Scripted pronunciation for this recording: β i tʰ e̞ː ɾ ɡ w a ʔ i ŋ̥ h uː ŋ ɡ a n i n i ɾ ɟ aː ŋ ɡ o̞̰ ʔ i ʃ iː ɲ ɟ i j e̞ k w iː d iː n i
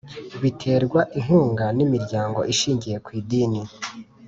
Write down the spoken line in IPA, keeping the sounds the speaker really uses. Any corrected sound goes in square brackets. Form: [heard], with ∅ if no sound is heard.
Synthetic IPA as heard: β i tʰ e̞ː ɾ ɡ w a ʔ i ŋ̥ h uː ŋ ɡ a n i [m] i ɾ ɟ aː ŋ ɡ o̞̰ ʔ i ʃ iː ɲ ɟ i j e̞ k w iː d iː n i